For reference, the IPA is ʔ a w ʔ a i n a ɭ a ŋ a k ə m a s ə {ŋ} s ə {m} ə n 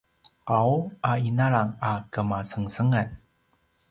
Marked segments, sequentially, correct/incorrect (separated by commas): correct, incorrect